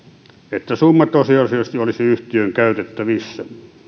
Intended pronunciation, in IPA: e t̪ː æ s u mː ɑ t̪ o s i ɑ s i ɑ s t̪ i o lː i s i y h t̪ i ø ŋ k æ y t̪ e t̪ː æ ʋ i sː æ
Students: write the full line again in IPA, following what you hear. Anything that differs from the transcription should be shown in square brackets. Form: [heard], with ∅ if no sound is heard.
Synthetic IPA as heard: e t̪ː æ s u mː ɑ t̪ o s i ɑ s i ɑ s t̪ i o [l] i s i y h t̪ i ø ŋ k æ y t̪ e t̪ː æ ʋ i sː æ